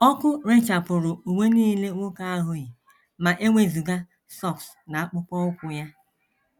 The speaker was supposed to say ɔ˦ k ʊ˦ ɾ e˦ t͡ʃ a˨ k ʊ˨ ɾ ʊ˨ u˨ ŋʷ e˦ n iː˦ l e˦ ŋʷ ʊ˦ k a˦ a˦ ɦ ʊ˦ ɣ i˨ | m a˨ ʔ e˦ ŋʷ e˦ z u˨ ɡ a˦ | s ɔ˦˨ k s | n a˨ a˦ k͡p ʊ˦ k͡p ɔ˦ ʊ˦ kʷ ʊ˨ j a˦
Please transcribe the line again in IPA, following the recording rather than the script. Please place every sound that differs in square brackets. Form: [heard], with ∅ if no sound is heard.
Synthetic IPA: ɔ˦ k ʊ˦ ɾ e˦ t͡ʃ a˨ [p] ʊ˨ ɾ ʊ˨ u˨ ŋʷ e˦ n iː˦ l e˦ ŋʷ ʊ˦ k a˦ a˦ ɦ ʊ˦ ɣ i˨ | m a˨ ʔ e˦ ŋʷ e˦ z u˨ ɡ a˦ | s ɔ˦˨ k s | n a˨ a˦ k͡p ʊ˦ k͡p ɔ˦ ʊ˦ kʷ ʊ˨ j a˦